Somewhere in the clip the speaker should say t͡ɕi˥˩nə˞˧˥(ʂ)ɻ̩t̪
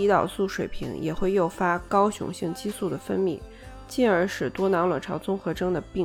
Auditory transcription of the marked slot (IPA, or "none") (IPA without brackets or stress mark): ʂ